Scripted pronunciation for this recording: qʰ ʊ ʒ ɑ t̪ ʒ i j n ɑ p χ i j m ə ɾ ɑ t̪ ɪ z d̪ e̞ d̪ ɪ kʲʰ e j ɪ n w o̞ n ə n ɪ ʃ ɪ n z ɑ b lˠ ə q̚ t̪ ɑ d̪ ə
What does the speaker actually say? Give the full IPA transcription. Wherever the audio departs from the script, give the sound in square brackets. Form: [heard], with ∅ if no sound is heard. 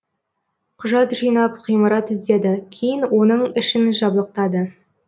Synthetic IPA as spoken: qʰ ʊ ʒ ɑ t̪ ʒ i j n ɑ p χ i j m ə ɾ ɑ t̪ ɪ z d̪ e̞ d̪ ɪ kʲʰ e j ɪ n w o̞ n ə [ɴ] ɪ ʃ ɪ n [ʒ] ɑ b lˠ ə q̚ t̪ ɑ d̪ ə

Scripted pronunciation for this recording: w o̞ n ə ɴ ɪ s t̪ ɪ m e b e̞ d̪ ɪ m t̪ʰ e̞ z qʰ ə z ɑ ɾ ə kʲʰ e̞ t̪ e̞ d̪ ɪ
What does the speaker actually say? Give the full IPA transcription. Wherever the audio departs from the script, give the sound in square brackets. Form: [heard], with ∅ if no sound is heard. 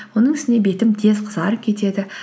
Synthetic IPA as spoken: w o̞ n ə ɴ ɪ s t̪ ɪ [n] e b e̞ [t̪] ɪ m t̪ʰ e̞ z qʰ ə z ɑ ɾ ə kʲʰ e̞ t̪ e̞ d̪ ɪ

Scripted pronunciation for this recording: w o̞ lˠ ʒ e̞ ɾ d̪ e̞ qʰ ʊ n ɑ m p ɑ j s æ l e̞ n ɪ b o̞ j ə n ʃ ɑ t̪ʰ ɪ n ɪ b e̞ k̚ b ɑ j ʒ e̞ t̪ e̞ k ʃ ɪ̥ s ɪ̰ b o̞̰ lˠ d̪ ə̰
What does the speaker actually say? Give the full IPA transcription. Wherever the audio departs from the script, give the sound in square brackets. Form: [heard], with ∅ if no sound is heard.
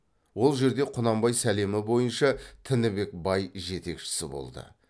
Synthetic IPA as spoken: w o̞ lˠ ʒ e̞ ɾ d̪ e̞ qʰ ʊ n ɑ m [b] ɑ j s æ l e̞ [m] ɪ b o̞ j ə n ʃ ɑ t̪ʰ ɪ n ɪ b e̞ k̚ b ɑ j ʒ e̞ t̪ e̞ k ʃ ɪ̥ s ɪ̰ b o̞̰ lˠ d̪ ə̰

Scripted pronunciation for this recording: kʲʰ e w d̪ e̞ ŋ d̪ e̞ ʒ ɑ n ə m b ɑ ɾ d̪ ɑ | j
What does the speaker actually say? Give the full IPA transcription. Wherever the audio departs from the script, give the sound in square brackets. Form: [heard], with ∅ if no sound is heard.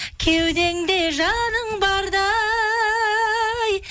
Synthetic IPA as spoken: kʲʰ e w d̪ e̞ ŋ d̪ e̞ ʒ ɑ n ə [ɴ] b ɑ ɾ d̪ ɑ | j

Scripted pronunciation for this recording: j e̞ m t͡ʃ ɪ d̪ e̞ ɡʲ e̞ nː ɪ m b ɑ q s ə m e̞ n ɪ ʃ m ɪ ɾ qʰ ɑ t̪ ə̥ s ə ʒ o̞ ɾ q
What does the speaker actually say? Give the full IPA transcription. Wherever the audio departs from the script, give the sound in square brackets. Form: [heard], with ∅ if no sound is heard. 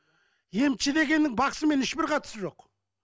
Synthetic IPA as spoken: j e̞ m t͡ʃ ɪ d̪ e̞ ɡʲ e̞ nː ɪ [ŋ] b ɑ q s ə m e̞ n ɪ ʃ [b] ɪ ɾ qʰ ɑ t̪ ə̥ s ə ʒ o̞ [∅] q

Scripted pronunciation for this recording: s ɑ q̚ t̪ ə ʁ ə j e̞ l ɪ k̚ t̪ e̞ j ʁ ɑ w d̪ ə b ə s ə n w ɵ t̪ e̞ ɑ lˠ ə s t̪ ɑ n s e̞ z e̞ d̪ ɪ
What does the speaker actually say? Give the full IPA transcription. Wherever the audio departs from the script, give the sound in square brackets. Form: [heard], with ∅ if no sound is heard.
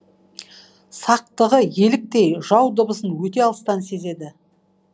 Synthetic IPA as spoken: s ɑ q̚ t̪ ə ʁ ə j e̞ l ɪ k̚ t̪ e̞ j [ʒ] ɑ w d̪ ə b ə s ə n w ɵ t̪ e̞ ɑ lˠ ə s t̪ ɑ n s e̞ z e̞ d̪ ɪ

